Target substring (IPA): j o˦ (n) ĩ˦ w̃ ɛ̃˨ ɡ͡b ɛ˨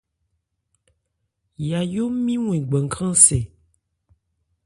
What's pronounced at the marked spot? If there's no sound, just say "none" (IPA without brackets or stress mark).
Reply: m